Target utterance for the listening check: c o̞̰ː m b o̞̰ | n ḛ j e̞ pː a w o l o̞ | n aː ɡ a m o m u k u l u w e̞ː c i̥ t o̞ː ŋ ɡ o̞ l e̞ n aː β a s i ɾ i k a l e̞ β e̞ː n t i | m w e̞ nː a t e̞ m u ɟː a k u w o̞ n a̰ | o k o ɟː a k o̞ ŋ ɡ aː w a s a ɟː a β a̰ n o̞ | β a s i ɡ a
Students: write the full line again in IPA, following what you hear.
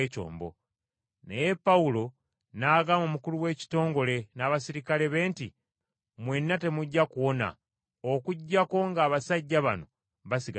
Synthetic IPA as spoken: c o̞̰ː m b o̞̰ | n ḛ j e̞ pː a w u l o̞ | n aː ɡ a m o m u k u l u w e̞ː c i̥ t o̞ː ŋ ɡ o̞ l e̞ n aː β a s i ɾ i k a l e̞ β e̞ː n t i | m w e̞ nː a t e̞ m u ɟː a k u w o̞ n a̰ | o k u ɟː a k o̞ ŋ ɡ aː β a s a ɟː a β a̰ n o̞ | β a s i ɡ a